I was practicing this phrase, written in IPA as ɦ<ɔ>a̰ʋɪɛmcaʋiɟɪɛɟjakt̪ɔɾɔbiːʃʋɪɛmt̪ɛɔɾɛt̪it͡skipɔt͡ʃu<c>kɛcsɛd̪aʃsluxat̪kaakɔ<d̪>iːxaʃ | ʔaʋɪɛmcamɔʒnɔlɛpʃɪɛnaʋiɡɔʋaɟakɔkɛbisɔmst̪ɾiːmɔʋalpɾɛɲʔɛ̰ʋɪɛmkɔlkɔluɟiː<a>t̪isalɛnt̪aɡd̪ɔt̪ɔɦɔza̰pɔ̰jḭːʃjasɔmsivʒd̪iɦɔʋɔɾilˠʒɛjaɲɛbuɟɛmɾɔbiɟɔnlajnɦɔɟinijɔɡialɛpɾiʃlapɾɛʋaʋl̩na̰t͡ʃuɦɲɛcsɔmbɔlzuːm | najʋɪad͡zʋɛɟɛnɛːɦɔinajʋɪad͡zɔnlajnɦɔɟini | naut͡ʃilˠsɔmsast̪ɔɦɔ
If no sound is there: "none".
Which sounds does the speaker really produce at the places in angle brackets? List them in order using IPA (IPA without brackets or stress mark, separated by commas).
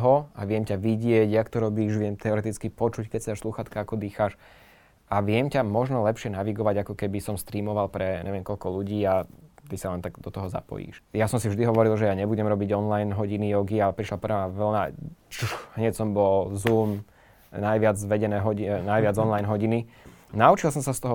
ɔ, c, d̪, a